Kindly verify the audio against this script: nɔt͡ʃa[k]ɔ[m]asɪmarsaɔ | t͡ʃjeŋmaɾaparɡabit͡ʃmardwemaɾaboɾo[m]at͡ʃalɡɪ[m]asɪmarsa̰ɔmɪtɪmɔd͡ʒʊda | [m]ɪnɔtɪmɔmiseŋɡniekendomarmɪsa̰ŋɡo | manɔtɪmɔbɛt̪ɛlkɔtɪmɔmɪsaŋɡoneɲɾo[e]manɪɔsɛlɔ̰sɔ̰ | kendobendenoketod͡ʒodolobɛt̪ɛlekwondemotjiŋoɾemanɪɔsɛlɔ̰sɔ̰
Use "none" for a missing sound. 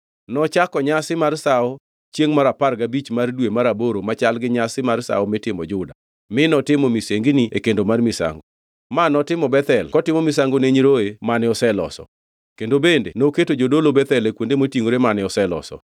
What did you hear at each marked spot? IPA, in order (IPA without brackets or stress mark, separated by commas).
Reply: k, ɲ, m, ɲ, m, e